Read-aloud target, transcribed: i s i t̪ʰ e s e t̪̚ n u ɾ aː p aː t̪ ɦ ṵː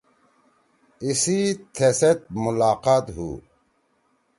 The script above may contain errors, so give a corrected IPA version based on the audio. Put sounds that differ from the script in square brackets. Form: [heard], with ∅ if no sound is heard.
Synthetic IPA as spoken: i s i t̪ʰ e s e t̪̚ [m] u [l] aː [q] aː t̪ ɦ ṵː